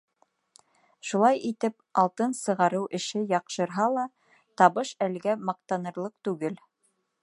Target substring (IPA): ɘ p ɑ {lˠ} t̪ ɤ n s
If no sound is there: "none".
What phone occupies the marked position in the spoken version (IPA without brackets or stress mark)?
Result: lˠ